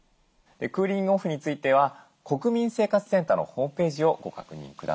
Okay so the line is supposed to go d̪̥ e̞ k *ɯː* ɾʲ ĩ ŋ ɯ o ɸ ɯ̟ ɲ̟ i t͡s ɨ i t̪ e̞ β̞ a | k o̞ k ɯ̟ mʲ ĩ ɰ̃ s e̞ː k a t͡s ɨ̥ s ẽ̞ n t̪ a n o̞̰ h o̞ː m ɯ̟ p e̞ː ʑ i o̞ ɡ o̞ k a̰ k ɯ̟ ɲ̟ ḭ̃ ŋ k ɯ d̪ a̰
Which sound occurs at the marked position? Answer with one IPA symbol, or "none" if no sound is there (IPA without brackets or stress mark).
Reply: ɯː